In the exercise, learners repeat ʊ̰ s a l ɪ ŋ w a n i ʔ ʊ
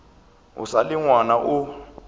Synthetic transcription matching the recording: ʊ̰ s a l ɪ ŋ w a n a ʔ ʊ